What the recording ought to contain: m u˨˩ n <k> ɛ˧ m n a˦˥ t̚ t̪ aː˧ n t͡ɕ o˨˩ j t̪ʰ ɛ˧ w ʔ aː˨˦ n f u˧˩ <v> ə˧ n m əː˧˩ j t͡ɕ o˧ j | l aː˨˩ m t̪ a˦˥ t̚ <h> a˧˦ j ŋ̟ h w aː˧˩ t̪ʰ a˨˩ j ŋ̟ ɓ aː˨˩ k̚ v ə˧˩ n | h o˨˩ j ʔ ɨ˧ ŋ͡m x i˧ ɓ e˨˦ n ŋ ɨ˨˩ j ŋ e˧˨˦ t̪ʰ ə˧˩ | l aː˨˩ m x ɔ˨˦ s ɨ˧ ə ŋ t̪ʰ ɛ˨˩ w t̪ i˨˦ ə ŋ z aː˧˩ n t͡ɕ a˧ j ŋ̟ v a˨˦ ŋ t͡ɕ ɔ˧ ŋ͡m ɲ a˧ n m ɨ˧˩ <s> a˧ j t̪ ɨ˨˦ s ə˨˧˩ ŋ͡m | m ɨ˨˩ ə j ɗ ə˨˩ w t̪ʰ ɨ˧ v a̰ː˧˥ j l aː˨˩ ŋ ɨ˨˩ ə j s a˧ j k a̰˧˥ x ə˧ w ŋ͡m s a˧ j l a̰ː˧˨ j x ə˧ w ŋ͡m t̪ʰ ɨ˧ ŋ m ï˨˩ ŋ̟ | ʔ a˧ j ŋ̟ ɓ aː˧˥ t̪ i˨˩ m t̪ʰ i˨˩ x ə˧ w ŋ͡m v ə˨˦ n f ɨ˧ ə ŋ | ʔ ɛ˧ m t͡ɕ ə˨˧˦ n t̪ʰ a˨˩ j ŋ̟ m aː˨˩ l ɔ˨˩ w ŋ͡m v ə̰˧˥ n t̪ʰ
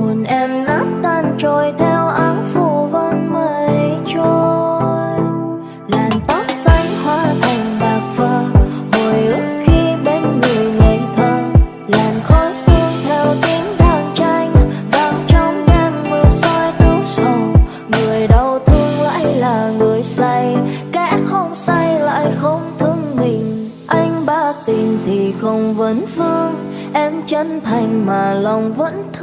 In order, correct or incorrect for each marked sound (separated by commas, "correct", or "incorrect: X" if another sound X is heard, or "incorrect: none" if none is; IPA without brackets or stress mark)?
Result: incorrect: ʔ, correct, incorrect: s, correct